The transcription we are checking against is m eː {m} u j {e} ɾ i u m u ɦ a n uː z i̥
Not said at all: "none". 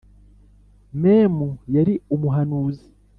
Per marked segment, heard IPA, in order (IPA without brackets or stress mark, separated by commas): m, a